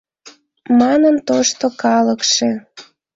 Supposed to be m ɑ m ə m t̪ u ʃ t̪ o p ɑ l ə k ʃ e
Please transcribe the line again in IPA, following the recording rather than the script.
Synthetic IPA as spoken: m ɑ n ə n t̪ o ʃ t̪ o k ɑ l ə k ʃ e